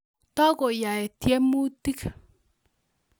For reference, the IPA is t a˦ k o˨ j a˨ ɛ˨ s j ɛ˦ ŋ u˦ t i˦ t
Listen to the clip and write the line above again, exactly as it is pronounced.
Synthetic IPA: t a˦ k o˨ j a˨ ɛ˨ t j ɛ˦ m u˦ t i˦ k